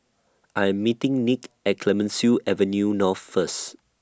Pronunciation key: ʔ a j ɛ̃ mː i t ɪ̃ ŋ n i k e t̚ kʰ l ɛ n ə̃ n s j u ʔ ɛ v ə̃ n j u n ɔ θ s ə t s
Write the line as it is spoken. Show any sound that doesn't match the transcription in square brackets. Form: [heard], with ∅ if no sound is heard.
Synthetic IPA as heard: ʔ a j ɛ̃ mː i t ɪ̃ ŋ n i k [ɛ] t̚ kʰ l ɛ [m] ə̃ n s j u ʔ ɛ v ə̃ n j u n ɔ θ [f] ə [∅] s